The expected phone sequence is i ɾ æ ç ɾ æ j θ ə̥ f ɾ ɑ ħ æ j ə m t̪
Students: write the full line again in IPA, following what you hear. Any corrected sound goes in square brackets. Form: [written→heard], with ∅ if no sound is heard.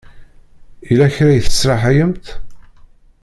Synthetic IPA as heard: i [ɾ→l] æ ç ɾ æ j θ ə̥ [f→s] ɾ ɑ ħ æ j ə m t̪